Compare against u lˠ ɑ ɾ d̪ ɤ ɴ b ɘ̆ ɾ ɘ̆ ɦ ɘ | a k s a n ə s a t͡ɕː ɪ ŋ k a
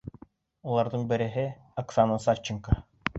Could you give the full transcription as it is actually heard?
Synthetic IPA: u lˠ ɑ ɾ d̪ ɤ ɴ b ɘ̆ ɾ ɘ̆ ɦ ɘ | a k s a n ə s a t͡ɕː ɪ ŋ k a